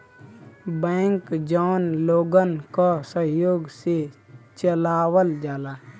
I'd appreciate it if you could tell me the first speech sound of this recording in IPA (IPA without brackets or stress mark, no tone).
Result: b